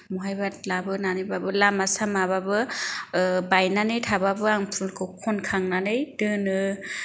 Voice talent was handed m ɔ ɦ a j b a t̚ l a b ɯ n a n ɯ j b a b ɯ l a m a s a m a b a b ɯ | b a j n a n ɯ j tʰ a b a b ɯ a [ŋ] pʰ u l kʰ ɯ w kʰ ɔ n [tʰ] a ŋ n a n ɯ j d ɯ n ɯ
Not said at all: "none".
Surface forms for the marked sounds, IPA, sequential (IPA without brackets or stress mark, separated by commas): ŋ, kʰ